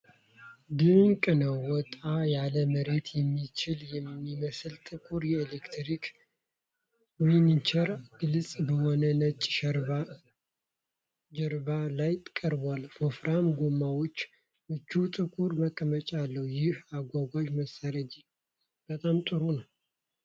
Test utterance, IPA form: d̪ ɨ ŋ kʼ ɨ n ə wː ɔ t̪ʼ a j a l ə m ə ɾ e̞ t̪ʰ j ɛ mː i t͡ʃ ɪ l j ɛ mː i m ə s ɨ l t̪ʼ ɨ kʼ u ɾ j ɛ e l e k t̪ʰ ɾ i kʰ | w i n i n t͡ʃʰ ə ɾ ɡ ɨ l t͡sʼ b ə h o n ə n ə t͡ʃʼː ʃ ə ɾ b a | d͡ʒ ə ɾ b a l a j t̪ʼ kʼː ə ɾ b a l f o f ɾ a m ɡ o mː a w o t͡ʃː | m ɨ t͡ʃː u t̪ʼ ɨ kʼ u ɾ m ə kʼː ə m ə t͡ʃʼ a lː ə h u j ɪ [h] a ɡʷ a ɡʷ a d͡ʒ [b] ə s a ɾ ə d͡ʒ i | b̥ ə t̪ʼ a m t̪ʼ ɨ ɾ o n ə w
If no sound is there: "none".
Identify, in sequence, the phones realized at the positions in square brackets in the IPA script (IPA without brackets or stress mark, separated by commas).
h, m